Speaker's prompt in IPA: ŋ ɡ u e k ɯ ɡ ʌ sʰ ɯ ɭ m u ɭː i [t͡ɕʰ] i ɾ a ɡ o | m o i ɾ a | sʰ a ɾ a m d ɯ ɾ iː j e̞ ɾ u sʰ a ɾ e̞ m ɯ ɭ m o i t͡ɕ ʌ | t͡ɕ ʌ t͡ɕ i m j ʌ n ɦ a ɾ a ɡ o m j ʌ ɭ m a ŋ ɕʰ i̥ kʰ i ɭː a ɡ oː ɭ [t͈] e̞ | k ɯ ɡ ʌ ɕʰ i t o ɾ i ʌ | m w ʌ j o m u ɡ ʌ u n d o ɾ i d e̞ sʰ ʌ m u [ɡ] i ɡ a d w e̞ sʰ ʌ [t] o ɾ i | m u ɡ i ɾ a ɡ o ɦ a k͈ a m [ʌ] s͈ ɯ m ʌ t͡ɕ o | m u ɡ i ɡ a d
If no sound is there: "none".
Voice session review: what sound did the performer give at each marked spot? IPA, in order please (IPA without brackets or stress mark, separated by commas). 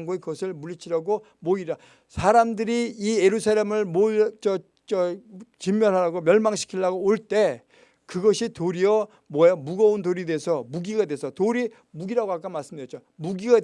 t͡ɕʰ, t͈, ɡ, t, a